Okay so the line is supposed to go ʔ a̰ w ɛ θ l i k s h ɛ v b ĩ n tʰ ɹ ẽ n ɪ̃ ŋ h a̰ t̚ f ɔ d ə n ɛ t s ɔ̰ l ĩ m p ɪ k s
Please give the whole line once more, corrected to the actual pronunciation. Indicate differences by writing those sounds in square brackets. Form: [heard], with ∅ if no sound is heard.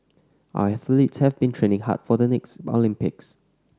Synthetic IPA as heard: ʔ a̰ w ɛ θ l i [t] s h ɛ v b ĩ n tʰ ɹ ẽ n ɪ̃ ŋ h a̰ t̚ f ɔ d ə n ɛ [k] s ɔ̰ l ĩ m p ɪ k s